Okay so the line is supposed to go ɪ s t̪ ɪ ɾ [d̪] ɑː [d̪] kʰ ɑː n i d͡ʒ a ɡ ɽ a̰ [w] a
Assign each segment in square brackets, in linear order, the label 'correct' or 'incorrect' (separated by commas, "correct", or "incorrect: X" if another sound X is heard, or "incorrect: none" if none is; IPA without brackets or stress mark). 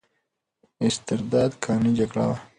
correct, correct, correct